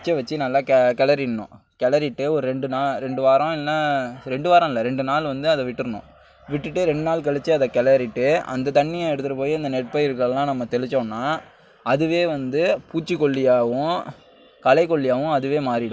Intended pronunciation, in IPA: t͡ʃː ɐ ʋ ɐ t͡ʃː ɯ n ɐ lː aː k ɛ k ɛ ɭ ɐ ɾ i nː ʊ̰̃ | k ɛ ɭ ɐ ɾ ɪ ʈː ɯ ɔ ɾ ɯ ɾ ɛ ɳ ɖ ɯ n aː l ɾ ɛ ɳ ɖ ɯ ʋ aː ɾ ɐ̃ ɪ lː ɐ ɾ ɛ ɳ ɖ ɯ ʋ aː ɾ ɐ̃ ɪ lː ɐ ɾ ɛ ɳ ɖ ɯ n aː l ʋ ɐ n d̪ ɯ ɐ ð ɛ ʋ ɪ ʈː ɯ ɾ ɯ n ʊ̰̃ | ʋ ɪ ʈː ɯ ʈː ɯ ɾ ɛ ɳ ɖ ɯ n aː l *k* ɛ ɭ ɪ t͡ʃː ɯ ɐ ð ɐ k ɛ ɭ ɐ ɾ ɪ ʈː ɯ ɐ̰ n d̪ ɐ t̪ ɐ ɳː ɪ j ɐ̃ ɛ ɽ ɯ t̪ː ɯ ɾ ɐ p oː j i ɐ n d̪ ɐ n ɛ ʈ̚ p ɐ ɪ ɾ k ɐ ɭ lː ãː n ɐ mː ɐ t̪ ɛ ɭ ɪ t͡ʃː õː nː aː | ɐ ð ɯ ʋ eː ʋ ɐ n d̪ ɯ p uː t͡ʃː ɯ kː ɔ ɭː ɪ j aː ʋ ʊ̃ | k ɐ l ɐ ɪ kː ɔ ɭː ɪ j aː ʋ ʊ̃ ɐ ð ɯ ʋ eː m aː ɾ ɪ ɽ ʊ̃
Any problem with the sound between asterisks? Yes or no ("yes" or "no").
no